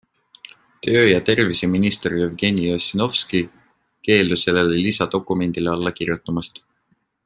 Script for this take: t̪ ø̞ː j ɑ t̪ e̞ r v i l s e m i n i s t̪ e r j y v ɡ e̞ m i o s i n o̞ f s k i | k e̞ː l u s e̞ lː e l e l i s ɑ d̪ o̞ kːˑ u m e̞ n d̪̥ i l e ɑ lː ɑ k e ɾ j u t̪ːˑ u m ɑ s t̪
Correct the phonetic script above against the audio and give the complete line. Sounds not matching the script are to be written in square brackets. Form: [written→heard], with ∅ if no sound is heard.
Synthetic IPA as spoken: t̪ ø̞ː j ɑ t̪ e̞ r v i [l→∅] s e m i n i s t̪ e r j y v ɡ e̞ [m→n] i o s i n o̞ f s k i | k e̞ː l u s e̞ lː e l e l i s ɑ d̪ o̞ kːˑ u m e̞ n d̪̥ i l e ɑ lː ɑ k [e→i] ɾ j u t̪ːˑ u m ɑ s t̪